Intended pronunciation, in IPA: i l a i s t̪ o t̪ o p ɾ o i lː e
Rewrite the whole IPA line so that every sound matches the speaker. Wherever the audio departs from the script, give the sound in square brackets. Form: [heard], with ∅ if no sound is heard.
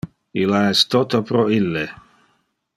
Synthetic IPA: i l a [ɛ] s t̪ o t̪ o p ɾ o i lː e